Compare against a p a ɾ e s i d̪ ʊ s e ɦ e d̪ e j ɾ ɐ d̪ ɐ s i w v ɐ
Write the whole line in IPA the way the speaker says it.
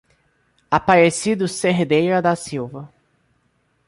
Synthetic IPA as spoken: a p a ɾ e s i d̪ ʊ s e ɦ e d̪ e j ɾ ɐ d̪ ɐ s i w v ɐ